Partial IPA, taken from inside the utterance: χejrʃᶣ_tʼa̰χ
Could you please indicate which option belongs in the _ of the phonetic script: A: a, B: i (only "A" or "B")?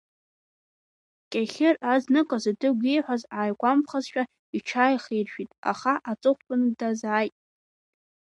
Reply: B